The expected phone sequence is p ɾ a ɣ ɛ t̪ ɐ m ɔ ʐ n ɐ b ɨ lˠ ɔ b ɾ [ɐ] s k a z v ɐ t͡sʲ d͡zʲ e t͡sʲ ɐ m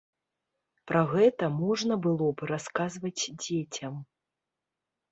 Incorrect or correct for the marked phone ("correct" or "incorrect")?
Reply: incorrect